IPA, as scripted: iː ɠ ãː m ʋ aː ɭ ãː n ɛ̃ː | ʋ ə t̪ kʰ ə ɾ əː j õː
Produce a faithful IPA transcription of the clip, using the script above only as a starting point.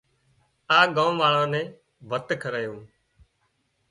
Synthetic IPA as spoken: aː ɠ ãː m ʋ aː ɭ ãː n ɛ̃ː | ʋ ə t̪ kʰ ə ɾ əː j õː